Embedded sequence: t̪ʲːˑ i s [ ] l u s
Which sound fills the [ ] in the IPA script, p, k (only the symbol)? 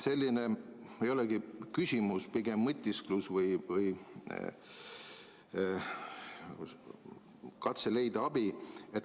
k